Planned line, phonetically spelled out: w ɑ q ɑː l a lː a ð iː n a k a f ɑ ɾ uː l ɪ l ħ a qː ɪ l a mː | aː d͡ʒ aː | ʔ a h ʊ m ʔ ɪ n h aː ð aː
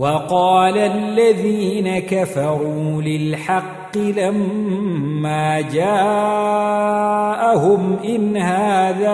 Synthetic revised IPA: w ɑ q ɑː l a lː a ð iː n a k a f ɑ ɾ uː l ɪ l ħ ɑ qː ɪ l a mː | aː d͡ʒ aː | ʔ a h ʊ m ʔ ɪ n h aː ð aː